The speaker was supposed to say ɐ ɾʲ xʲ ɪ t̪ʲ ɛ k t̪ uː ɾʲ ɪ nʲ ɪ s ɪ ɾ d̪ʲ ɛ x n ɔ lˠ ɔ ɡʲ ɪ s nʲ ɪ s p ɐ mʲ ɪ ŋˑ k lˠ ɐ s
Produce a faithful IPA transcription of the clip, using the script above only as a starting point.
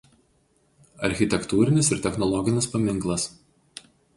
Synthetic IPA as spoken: ɐ ɾʲ xʲ ɪ t̪ʲ ɛ k t̪ uː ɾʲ ɪ nʲ ɪ s ɪ ɾ t̪ʲ ɛ x n ɔ lˠ ɔ ɡʲ ɪ nʲ ɪ s p ɐ mʲ ɪ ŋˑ k lˠ ɐ s